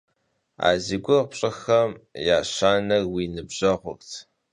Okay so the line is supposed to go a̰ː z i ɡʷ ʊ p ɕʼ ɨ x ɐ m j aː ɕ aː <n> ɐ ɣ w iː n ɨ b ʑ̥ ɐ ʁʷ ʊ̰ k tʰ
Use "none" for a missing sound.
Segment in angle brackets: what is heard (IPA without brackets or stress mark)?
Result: n